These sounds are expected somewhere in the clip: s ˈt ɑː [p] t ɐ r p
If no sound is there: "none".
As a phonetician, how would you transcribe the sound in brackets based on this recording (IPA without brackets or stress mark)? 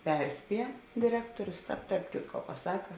p